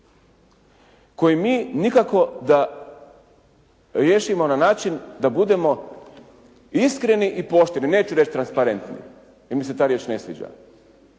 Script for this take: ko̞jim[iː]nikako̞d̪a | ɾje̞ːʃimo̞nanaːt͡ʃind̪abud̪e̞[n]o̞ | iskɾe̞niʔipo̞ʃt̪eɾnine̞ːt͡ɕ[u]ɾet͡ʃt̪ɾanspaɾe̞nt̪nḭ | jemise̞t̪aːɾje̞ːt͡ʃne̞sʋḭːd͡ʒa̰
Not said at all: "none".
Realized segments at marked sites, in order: iː, m, u

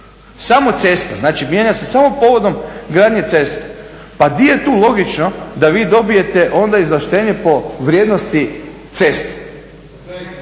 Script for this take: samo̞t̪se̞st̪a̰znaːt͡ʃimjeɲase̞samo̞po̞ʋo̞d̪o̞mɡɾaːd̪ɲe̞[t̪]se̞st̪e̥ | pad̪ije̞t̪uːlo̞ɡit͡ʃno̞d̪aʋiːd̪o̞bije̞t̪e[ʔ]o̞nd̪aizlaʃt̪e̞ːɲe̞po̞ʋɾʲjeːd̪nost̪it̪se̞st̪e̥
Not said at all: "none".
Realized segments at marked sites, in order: t̪, ʔ

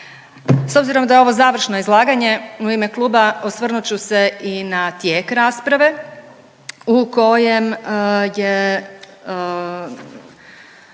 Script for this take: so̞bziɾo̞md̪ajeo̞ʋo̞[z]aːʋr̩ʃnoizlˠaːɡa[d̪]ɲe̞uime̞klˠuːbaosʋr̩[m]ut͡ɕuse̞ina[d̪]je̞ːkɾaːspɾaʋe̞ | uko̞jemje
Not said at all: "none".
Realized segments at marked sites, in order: z, none, n, t̪

